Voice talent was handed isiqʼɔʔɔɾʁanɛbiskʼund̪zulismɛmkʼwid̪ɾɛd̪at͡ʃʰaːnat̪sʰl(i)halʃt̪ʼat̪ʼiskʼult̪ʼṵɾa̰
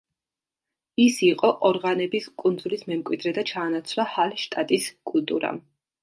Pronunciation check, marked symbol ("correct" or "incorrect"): incorrect